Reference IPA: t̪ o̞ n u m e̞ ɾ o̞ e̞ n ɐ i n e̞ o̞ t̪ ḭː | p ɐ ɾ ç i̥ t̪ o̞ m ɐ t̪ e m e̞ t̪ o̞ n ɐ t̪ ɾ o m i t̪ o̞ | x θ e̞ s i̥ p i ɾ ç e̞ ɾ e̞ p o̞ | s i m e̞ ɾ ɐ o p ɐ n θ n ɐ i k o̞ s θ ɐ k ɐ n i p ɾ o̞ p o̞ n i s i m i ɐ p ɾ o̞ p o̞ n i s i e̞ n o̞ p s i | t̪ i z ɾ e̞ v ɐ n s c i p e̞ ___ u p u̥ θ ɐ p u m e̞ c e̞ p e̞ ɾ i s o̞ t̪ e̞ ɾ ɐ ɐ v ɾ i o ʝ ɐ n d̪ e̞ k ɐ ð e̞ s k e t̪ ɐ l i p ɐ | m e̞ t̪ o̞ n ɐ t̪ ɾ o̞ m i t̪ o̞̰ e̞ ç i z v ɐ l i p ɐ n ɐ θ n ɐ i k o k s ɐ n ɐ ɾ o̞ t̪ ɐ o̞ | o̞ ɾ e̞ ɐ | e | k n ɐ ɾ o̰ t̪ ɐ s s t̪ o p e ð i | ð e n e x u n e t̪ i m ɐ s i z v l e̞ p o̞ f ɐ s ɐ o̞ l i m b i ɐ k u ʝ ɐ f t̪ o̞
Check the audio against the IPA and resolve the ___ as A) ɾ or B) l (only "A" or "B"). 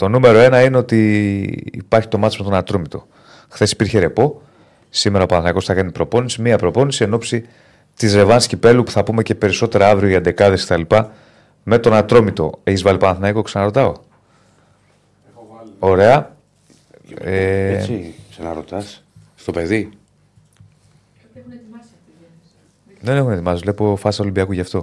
B